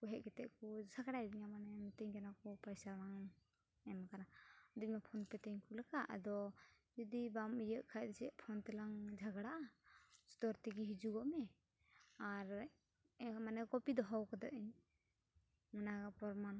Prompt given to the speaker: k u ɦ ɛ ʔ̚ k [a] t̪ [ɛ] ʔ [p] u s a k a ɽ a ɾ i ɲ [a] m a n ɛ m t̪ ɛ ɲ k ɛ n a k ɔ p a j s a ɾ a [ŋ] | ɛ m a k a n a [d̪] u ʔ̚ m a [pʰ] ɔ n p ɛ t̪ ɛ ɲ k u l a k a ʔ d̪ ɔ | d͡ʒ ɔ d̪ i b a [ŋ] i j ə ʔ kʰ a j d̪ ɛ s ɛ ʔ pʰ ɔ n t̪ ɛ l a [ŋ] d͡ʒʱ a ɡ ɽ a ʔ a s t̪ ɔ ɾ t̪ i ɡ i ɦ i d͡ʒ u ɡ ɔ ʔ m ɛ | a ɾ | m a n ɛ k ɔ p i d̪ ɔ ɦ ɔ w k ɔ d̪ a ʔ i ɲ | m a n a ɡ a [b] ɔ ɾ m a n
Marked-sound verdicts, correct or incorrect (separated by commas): incorrect, correct, incorrect, correct, correct, correct, correct, incorrect, correct, incorrect